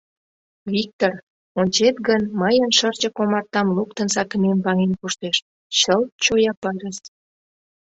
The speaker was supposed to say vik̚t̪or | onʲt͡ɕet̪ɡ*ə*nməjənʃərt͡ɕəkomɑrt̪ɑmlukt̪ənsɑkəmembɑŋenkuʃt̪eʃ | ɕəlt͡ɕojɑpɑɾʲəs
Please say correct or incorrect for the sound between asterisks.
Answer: correct